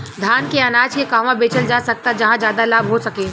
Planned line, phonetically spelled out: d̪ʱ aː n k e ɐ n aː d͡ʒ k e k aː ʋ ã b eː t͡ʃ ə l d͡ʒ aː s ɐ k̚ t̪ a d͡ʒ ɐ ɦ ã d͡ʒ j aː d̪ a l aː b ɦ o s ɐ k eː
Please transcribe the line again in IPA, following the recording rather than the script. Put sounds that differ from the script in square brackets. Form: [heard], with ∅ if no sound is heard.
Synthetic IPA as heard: d̪ʱ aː n k e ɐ n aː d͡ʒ k e k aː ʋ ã b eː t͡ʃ ə l d͡ʒ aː s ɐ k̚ t̪ a d͡ʒ ɐ ɦ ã d͡ʒ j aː d̪ a l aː b ɦ o s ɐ k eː